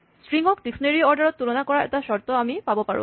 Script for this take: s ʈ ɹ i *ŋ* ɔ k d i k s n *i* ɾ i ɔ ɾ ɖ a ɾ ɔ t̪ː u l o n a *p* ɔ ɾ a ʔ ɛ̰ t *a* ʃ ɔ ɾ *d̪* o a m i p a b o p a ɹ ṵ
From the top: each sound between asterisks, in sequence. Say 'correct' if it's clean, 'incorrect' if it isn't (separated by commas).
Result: correct, incorrect, incorrect, correct, incorrect